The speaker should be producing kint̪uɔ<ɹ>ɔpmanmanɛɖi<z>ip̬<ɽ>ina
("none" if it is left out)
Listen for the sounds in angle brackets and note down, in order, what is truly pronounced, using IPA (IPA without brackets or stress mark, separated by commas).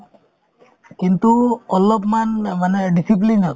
l, s, l